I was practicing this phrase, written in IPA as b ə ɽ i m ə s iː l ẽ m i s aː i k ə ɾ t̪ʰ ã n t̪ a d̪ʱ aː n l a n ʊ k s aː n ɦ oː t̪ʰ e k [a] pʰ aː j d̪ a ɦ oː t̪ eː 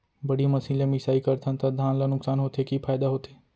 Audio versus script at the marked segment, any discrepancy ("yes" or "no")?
yes